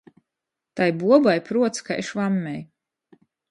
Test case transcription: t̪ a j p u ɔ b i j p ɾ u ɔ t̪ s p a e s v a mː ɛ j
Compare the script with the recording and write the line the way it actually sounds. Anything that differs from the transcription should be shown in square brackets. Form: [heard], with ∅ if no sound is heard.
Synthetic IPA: t̪ a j [b] u ɔ b [a] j p ɾ u ɔ t̪ s [k] a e [ʃ] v a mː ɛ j